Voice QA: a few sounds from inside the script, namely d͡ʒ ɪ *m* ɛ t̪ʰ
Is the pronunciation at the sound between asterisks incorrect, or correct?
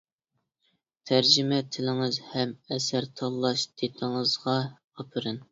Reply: correct